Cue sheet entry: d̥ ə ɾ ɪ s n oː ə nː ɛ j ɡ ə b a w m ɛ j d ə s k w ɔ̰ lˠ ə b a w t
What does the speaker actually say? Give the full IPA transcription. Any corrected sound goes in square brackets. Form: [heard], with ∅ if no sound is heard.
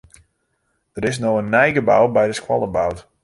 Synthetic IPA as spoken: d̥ ə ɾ ɪ s n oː ə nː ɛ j ɡ ə b a w [b] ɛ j d ə s k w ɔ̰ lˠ ə b a w t